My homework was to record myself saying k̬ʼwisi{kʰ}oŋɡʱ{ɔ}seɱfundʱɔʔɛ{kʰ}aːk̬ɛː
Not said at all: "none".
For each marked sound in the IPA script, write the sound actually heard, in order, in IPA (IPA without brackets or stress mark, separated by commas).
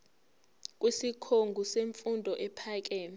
kʰ, u, pʰ